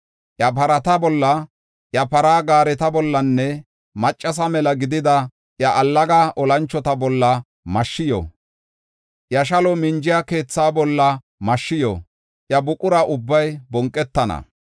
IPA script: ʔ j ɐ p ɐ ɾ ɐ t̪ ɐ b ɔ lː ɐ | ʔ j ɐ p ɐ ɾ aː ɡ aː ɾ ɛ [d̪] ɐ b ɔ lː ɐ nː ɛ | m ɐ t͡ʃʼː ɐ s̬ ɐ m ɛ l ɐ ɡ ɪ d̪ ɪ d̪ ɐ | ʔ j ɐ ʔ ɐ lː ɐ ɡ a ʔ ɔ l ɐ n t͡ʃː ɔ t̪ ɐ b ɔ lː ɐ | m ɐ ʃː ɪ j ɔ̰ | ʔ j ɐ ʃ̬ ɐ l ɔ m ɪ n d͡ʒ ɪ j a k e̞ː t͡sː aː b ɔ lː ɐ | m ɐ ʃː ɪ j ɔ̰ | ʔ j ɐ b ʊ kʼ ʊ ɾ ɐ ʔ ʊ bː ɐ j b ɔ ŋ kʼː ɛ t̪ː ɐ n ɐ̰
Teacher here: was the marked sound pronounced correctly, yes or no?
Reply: no